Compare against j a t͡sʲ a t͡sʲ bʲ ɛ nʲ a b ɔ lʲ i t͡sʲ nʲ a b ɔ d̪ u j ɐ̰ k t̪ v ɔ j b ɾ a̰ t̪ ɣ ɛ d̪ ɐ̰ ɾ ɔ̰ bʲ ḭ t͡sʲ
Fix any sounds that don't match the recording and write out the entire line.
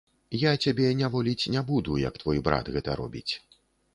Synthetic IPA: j a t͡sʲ a bʲ ɛ nʲ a v ɔ lʲ i t͡sʲ nʲ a b u d̪ u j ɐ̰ k t̪ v ɔ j b ɾ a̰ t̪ ɣ ɛ t̪ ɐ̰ ɾ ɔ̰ bʲ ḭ t͡sʲ